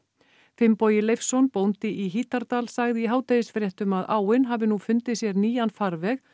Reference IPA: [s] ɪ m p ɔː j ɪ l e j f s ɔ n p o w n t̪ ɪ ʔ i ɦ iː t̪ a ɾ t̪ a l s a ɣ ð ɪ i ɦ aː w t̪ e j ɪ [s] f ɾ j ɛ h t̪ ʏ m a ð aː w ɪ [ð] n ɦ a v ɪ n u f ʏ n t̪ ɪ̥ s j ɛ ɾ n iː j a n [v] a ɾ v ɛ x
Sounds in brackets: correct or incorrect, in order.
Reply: incorrect, correct, incorrect, incorrect

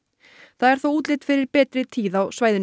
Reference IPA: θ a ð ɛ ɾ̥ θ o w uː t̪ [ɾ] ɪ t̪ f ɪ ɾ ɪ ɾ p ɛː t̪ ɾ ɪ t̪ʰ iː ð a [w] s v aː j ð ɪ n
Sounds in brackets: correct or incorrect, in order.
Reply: incorrect, correct

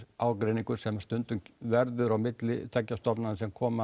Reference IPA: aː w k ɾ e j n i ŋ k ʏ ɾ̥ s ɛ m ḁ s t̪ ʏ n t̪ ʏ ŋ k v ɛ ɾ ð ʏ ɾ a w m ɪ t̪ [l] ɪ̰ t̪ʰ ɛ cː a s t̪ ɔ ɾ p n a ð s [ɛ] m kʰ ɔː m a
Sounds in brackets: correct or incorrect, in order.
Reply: correct, correct

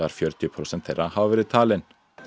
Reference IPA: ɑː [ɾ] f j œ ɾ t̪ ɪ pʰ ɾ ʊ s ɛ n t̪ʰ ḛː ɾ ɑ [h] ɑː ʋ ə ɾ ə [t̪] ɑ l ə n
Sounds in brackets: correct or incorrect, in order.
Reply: correct, correct, incorrect

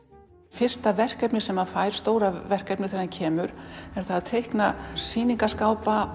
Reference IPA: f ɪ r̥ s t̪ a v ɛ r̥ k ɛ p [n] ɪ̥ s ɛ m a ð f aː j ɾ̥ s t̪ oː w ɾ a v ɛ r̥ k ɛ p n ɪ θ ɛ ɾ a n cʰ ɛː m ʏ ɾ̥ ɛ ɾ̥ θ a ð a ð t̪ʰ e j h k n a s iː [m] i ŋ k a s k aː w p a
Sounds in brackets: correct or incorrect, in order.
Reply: correct, incorrect

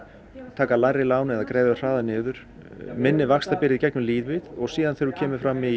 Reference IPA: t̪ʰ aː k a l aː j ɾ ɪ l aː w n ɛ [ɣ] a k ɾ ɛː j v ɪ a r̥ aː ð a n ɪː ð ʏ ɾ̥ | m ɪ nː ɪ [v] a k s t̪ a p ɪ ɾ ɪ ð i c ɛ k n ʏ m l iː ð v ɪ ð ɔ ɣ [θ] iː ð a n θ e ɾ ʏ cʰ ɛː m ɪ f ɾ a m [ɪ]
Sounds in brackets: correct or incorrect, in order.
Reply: incorrect, correct, incorrect, incorrect

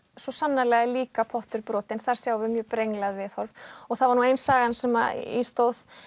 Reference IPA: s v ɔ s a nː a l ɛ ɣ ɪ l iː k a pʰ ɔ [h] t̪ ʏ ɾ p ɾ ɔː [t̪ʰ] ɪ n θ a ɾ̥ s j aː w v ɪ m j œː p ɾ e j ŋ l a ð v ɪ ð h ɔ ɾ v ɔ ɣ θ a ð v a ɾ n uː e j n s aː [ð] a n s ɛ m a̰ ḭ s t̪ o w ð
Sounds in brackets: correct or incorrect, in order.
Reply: correct, incorrect, incorrect

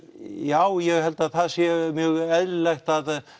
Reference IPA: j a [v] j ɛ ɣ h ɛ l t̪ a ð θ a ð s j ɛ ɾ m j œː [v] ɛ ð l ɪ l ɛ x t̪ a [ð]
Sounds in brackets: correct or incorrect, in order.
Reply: incorrect, incorrect, correct

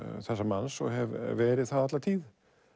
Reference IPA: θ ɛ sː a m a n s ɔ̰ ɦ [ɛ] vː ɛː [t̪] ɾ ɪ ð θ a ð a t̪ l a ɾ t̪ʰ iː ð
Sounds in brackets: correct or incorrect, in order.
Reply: correct, incorrect

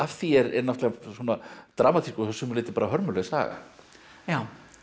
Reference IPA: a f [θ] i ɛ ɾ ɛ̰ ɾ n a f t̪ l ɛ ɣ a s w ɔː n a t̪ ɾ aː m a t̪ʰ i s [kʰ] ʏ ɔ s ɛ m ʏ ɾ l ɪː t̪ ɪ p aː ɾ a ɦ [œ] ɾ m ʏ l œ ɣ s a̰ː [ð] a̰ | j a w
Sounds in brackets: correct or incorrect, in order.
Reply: correct, incorrect, correct, incorrect

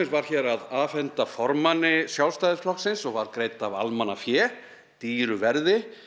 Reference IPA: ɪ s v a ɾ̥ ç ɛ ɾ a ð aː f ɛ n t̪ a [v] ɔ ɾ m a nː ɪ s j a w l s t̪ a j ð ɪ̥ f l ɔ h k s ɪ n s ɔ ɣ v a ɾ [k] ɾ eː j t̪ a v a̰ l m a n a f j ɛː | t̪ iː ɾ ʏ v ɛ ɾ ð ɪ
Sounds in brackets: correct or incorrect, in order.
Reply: incorrect, correct

